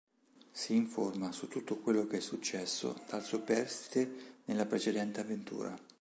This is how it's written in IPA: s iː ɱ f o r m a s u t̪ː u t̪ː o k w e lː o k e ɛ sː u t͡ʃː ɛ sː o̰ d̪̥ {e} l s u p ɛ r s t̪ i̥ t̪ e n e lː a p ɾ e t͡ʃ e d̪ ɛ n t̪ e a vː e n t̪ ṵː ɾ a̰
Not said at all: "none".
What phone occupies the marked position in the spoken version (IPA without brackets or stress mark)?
a